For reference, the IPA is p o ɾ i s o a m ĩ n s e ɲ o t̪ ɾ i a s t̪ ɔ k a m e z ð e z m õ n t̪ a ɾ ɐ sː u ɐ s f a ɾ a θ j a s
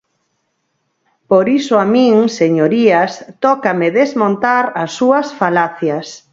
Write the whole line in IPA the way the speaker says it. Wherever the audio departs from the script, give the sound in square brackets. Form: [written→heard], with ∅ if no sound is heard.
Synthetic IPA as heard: p o ɾ i s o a m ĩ [n→ŋ] s e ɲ o [t̪→∅] ɾ i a s t̪ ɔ k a m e [z→∅] ð e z m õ n t̪ a ɾ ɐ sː u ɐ s f a [ɾ→l] a θ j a s